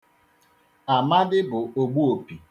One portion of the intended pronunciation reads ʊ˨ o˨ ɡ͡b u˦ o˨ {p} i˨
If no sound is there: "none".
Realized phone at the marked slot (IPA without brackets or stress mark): p